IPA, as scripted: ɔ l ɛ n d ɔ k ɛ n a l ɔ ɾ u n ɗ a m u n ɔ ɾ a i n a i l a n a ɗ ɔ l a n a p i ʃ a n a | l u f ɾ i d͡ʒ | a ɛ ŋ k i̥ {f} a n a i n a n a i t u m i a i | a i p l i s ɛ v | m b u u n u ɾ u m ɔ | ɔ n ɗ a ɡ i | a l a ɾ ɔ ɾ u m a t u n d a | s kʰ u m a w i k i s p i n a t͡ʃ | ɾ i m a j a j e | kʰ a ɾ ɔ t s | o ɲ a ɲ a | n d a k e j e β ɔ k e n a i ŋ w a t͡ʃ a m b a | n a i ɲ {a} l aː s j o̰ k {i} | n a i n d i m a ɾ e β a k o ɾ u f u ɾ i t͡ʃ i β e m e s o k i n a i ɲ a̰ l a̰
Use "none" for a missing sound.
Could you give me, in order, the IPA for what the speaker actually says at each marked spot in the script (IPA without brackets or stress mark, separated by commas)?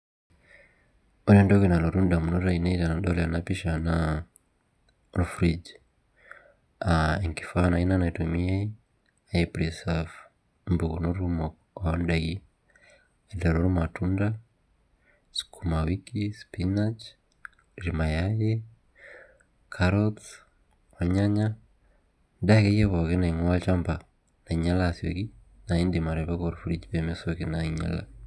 f, a, i